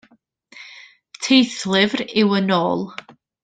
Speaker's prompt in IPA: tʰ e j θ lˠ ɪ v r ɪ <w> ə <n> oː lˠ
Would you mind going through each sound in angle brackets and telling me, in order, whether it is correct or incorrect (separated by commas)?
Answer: correct, correct